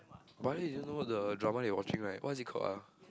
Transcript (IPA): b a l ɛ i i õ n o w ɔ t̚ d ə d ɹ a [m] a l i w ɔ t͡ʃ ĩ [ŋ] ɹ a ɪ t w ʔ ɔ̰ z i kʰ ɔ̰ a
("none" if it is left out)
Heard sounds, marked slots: m, ŋ

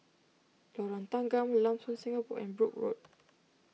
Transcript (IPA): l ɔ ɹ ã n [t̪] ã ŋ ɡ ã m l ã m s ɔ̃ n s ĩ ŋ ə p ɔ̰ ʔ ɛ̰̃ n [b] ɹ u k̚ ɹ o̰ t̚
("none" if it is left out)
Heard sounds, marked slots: t̪, b

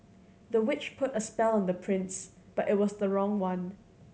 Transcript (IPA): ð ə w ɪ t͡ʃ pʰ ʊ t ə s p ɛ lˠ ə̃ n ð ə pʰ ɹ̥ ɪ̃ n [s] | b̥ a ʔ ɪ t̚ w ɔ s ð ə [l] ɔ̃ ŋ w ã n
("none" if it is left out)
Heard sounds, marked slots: s, ɹ

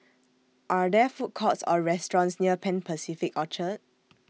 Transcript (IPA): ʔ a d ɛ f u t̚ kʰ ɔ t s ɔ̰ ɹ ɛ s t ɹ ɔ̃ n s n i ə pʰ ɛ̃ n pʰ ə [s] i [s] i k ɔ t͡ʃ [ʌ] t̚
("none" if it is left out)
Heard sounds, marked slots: s, f, ə

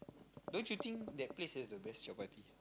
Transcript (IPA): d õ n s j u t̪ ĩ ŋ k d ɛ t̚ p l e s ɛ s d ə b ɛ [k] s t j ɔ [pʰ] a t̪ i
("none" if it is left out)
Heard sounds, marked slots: none, p

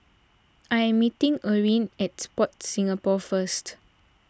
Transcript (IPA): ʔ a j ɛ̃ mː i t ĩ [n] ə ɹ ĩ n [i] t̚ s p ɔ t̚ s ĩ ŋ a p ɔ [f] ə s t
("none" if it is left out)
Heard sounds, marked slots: ŋ, ɛ, f

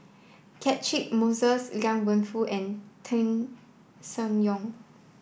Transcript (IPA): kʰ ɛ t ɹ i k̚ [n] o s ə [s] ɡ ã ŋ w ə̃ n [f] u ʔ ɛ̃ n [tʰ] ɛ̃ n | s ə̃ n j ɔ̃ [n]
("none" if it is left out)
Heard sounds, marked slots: m, s, f, tʰ, ŋ

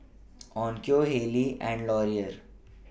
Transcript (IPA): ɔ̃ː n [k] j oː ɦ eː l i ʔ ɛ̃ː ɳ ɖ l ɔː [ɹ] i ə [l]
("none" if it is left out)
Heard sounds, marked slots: k, ɾ, ɾ

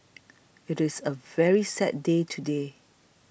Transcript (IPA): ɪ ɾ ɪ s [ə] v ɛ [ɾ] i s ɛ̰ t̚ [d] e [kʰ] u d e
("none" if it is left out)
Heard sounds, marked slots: ə, ɹ, d, tʰ

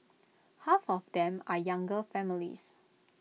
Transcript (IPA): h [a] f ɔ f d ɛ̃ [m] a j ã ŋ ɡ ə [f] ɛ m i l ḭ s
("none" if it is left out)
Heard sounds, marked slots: a, m, f

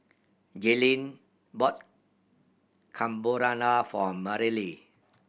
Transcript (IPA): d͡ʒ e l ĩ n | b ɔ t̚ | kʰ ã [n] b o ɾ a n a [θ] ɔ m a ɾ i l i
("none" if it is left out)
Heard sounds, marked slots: m, f

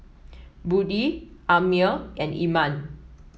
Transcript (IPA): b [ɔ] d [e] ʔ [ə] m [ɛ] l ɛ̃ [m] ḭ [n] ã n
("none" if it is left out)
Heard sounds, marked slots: u, i, a, i, n, m

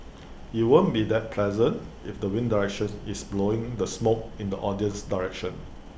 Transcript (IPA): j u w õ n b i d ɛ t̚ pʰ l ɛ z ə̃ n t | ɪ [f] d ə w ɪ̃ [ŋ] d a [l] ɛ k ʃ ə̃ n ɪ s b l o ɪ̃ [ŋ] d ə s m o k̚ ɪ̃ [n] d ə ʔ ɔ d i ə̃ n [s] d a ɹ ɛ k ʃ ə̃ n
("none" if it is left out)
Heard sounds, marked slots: f, n, ɹ, ŋ, n, s

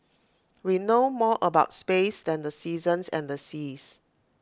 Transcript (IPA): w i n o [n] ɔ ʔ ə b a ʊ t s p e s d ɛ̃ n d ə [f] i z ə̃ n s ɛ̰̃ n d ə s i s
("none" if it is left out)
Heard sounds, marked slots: m, s

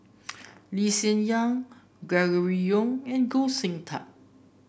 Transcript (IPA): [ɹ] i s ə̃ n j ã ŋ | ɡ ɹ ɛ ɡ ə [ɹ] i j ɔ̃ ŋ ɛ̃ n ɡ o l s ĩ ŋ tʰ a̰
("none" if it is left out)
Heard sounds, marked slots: l, ɹ

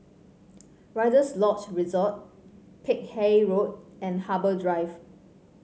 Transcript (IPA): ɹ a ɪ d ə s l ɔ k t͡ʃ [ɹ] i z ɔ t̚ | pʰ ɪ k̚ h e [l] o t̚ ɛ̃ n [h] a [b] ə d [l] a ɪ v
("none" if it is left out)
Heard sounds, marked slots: ɹ, ɹ, h, b, ɹ

